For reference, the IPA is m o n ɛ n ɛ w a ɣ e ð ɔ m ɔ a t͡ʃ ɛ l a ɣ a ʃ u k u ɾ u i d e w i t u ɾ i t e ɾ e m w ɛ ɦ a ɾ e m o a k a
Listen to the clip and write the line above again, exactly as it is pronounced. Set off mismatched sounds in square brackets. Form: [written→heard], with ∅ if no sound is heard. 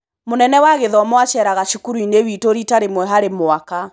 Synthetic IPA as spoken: m o n ɛ n ɛ w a ɣ e ð ɔ m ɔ a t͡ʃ ɛ [l→ɾ] a ɣ a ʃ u k u ɾ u i [d→n] e w i t [u→o] ɾ i t [e→a] ɾ e m w ɛ ɦ a ɾ e m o a k a